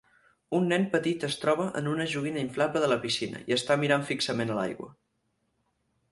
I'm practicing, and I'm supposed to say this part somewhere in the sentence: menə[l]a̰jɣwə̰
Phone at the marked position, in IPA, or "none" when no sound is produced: l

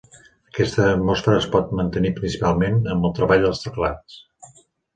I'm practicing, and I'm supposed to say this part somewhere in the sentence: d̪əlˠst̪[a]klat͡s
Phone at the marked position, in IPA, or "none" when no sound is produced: ə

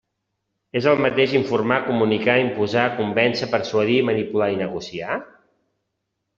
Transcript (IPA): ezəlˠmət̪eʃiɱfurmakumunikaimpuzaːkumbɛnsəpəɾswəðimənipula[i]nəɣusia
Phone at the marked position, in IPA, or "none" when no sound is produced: i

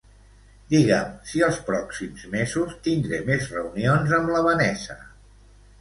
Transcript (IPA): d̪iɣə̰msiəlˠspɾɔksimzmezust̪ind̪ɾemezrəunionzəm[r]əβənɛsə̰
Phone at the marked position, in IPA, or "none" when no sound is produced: l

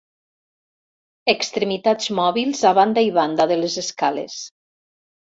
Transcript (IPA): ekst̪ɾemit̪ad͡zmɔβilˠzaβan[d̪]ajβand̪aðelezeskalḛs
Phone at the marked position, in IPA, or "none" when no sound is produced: d̪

